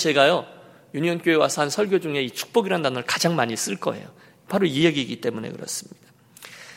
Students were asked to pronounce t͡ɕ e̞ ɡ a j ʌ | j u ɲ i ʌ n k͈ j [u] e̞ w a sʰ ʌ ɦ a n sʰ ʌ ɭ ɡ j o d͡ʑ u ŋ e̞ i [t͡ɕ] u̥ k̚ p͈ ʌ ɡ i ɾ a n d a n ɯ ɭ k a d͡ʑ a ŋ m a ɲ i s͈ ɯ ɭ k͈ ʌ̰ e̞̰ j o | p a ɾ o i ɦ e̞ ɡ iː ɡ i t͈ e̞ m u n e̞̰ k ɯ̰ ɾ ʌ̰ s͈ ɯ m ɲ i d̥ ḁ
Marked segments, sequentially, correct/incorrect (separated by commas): incorrect, incorrect